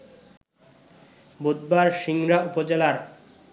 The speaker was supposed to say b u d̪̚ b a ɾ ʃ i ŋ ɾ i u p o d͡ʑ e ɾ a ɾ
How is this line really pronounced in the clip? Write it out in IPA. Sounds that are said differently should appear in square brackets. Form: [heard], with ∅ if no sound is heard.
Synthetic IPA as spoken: b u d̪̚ b a ɾ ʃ i ŋ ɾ [a] u p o d͡ʑ e [l] a ɾ